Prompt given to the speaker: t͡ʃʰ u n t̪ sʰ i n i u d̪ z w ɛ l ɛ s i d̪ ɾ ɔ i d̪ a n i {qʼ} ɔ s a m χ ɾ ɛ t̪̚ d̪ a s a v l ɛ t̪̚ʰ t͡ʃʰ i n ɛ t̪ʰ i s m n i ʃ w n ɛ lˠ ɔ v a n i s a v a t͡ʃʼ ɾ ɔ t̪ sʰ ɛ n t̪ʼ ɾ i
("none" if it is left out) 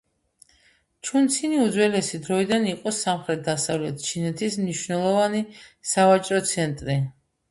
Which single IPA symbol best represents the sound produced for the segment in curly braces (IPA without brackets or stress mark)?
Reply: qʼ